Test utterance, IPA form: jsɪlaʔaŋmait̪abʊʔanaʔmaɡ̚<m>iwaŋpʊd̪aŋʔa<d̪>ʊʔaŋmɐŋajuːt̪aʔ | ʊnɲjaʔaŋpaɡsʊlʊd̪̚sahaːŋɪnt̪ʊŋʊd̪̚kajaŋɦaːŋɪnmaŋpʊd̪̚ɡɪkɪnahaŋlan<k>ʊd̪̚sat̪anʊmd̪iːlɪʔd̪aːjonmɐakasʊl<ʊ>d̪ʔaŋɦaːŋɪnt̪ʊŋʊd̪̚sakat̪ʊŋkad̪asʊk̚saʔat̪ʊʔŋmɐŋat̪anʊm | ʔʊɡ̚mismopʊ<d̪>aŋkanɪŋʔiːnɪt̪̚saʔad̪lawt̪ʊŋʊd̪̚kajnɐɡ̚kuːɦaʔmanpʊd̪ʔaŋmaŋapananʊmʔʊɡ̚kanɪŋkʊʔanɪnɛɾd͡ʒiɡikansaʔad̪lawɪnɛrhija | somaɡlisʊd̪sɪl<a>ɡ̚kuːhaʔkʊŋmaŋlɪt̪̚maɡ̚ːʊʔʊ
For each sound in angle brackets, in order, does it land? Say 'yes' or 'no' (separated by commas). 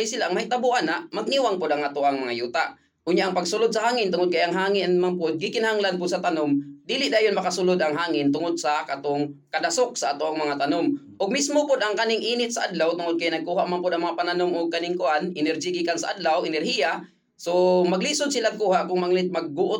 no, no, no, yes, yes, yes